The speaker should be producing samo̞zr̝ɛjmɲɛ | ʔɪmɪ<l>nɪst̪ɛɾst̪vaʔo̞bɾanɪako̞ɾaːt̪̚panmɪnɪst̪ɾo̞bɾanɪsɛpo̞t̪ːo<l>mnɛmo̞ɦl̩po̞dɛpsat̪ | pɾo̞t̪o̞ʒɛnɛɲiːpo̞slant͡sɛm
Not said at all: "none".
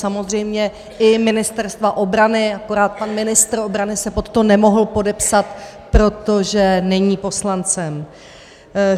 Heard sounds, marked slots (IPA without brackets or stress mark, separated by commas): none, none